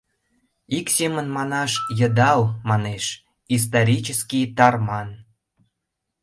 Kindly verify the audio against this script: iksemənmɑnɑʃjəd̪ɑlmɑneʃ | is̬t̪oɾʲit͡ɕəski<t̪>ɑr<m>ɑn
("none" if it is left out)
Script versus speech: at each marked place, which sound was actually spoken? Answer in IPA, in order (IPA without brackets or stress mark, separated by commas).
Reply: t̪, m